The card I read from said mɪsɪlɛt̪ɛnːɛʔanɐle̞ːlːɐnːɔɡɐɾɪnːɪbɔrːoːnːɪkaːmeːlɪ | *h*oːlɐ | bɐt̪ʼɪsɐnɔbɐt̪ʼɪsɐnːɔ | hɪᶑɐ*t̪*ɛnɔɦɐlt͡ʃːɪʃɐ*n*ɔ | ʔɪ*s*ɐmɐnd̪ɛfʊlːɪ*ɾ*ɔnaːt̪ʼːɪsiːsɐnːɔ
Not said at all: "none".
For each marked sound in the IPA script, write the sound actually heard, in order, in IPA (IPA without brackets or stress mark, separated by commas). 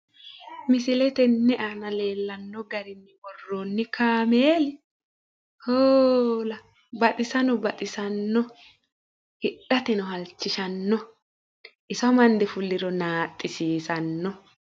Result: h, t̪, nː, s, ɾ